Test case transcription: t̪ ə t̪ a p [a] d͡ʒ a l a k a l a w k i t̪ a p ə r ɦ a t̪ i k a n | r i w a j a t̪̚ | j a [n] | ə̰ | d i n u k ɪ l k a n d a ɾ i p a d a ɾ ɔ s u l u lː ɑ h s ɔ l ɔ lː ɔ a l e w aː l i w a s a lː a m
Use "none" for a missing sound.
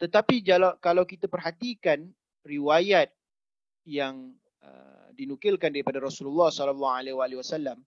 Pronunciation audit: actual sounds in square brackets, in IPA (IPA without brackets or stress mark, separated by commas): i, ŋ